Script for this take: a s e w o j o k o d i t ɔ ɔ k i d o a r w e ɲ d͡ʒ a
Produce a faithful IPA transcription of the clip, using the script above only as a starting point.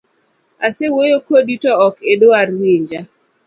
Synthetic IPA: a s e w o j o k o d i t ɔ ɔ k e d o a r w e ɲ d͡ʒ a